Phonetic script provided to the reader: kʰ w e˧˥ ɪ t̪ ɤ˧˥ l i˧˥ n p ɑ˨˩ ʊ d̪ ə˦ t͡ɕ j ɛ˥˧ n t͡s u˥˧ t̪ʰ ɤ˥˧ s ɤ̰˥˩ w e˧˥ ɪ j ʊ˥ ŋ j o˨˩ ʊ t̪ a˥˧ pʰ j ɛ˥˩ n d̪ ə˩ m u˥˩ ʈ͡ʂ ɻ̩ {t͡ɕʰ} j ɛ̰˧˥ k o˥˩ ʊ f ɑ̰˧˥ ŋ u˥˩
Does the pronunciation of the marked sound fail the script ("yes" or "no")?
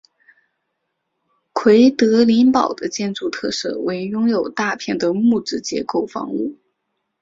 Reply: yes